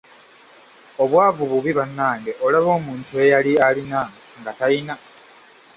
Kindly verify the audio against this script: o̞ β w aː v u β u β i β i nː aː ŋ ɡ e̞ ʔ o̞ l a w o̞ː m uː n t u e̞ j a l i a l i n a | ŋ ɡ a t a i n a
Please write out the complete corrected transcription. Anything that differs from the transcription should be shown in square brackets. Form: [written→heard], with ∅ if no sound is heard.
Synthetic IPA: o̞ β w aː v u β u β i β [i→a] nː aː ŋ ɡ e̞ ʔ o̞ l a [w→β] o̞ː m uː n t u e̞ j a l i a l i n a | ŋ ɡ a t a i n a